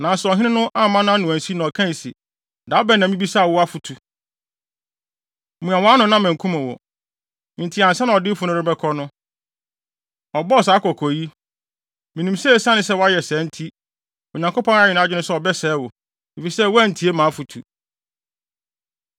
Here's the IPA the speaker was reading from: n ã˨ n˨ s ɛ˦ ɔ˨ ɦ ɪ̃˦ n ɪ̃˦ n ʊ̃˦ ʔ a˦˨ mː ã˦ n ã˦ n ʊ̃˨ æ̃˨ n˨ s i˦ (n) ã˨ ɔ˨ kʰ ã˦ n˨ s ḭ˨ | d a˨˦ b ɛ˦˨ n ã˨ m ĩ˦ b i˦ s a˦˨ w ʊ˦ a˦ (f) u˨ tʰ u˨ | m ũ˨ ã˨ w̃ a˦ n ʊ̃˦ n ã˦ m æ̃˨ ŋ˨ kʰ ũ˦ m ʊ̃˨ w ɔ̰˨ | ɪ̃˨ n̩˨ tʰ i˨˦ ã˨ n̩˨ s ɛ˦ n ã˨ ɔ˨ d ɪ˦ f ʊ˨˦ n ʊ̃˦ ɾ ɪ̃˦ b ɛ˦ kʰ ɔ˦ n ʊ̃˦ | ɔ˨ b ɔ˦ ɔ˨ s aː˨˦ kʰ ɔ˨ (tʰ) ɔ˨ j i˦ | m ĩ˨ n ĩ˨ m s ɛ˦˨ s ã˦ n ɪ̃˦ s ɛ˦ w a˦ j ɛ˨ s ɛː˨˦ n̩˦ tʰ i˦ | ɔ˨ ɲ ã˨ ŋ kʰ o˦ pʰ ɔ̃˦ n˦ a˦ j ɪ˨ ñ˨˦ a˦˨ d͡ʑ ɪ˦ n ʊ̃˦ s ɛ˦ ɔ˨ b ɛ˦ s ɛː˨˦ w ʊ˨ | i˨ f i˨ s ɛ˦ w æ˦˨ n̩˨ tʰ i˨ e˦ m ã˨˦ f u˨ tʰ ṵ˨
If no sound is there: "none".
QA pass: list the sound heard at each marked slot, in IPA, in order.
n, f, kʰ

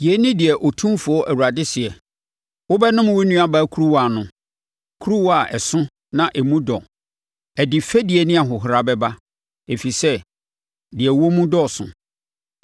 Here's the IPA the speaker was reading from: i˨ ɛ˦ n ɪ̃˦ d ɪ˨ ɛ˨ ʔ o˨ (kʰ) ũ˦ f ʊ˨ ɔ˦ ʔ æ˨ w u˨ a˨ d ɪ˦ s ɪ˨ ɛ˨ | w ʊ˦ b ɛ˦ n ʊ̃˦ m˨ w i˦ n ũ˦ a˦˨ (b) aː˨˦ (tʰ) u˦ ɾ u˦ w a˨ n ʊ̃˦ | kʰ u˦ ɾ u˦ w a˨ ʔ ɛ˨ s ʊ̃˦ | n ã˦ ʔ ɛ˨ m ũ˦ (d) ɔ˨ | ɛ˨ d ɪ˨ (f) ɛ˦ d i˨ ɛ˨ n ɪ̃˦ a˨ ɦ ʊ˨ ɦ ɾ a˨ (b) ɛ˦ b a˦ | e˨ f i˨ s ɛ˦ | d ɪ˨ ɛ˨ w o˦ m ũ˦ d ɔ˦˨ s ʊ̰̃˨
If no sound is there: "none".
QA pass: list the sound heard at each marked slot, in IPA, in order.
tʰ, b, kʰ, d, f, b

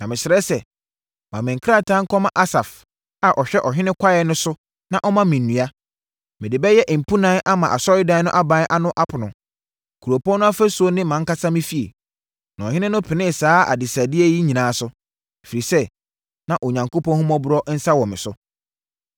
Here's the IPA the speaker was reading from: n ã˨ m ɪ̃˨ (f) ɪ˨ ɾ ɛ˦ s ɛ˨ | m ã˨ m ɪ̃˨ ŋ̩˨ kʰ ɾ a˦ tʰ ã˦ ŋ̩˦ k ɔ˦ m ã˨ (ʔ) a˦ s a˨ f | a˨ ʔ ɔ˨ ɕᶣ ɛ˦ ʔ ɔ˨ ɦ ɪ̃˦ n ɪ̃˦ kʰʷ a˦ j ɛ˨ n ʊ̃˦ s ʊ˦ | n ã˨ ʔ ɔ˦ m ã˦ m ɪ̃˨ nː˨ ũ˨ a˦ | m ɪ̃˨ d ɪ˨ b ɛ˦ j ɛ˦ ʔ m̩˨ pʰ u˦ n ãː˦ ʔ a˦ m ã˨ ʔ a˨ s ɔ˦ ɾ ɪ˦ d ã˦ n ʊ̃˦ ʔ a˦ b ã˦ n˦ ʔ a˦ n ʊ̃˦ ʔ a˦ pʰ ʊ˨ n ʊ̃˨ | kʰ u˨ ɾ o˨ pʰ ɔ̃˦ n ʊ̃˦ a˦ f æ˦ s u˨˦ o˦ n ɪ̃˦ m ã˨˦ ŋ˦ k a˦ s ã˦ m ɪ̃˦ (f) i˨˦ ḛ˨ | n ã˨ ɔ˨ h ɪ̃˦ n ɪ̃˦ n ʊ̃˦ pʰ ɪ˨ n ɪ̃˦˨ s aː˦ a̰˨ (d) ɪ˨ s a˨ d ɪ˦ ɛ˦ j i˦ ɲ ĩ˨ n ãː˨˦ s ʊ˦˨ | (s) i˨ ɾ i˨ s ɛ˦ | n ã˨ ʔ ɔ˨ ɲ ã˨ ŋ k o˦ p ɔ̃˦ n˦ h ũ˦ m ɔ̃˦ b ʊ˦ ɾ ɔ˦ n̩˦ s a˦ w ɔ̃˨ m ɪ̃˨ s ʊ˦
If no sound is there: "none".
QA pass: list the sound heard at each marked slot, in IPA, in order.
ɕ, ʔ, f, d, f

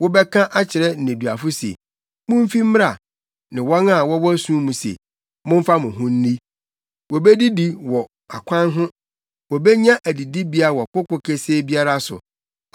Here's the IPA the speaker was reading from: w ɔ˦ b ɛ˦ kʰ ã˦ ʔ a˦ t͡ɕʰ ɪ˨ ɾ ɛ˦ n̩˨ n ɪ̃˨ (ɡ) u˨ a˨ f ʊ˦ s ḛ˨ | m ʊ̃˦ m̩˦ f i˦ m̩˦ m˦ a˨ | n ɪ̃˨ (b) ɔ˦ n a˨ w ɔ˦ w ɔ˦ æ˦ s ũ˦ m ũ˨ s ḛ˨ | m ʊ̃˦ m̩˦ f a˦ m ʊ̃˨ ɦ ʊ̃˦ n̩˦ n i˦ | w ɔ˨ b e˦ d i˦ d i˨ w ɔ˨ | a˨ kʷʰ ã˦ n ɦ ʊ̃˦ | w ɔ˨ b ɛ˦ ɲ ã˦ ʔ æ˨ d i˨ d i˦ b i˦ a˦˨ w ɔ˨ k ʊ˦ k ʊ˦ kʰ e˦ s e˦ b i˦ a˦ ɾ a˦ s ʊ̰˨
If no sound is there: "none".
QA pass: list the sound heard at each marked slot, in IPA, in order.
d, w

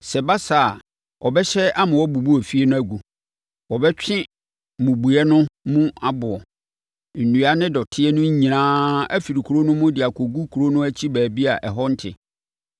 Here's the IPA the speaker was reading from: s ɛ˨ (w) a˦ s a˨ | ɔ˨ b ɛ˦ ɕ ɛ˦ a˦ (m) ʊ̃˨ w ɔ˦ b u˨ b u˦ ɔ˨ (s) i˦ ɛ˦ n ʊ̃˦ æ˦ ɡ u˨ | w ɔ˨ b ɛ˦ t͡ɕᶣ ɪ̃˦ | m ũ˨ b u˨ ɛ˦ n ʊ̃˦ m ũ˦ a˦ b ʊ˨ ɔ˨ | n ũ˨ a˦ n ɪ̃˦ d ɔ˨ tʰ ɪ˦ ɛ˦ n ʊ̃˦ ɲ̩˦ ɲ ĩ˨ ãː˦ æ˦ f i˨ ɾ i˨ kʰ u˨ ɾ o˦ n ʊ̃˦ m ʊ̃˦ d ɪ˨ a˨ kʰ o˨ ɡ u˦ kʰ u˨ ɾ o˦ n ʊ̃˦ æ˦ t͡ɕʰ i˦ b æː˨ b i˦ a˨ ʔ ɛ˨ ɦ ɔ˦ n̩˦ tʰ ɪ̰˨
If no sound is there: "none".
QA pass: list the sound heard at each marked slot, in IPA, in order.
b, m, f

